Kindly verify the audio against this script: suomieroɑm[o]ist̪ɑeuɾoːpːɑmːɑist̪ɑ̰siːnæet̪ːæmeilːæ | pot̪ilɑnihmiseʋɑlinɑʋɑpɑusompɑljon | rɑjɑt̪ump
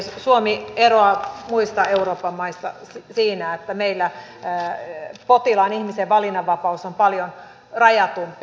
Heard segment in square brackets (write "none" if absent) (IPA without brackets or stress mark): u